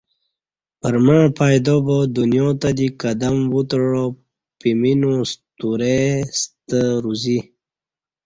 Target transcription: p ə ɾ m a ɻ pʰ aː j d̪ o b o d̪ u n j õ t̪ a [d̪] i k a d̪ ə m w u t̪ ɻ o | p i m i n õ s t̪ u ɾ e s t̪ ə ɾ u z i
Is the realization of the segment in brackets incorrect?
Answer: no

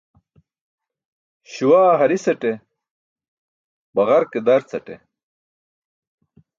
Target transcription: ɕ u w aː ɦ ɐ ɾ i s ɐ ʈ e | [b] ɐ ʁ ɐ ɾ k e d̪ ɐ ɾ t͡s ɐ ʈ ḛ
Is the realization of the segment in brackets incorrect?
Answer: no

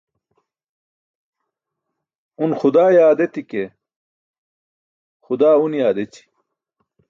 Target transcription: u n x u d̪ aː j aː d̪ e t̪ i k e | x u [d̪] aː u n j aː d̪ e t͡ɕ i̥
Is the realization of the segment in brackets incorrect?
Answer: no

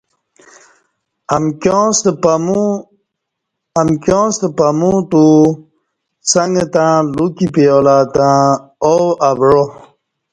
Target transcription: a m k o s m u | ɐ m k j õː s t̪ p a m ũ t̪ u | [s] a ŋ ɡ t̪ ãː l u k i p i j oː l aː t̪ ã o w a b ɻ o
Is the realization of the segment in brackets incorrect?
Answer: no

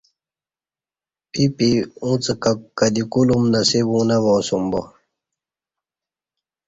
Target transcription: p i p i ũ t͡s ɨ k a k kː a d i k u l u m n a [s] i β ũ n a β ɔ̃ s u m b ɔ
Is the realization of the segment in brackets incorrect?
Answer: no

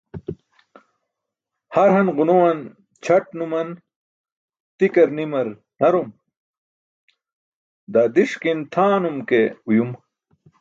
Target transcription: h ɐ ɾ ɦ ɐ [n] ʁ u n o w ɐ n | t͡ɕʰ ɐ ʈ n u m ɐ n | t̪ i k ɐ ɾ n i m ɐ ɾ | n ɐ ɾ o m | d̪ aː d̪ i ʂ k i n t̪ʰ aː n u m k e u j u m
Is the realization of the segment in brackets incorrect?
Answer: no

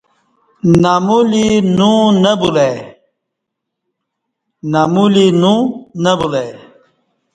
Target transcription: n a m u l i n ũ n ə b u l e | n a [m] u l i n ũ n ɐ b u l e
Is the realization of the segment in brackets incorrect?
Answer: no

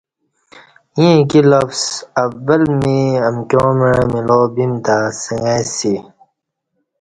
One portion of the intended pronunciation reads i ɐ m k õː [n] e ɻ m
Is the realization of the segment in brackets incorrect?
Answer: yes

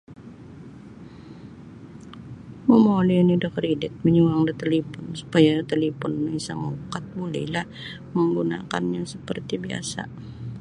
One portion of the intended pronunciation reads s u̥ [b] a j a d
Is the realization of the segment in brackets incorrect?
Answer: yes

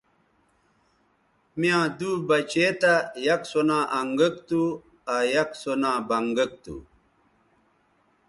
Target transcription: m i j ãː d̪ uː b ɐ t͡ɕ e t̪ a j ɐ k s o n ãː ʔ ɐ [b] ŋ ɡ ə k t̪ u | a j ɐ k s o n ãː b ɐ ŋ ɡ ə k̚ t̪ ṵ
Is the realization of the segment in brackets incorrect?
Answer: yes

